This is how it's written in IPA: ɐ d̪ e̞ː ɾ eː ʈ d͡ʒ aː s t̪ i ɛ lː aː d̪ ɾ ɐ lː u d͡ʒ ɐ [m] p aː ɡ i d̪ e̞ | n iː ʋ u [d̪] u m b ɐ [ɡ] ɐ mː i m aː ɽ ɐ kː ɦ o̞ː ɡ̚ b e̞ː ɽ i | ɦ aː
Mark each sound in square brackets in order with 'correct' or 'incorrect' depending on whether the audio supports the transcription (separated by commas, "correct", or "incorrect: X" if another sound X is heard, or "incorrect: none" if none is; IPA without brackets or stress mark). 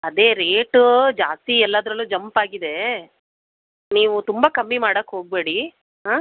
correct, incorrect: t̪, incorrect: k